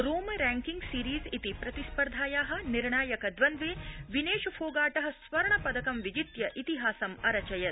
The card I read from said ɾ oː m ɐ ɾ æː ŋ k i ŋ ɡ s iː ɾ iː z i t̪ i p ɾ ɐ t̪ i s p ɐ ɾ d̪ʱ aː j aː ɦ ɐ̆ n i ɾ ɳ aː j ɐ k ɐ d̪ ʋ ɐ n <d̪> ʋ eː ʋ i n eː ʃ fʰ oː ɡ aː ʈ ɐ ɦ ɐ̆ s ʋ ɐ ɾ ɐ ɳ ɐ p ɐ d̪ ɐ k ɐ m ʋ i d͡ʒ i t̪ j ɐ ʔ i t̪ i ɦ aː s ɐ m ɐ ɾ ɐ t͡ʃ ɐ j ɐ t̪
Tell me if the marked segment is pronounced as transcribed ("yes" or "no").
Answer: yes